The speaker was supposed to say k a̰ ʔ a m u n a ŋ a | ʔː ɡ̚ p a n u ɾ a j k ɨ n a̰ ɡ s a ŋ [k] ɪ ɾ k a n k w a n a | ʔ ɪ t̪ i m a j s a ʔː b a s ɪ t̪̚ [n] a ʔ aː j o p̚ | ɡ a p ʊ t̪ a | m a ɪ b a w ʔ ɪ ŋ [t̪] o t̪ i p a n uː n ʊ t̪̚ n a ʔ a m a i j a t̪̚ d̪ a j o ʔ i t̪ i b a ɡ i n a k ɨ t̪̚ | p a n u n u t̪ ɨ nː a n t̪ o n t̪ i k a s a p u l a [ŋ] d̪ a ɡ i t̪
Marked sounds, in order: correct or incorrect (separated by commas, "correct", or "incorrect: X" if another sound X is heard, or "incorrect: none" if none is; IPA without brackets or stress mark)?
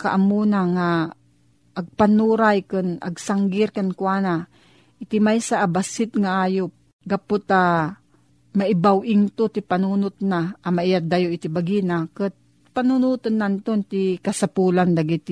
incorrect: ɡ, incorrect: ŋ, correct, incorrect: n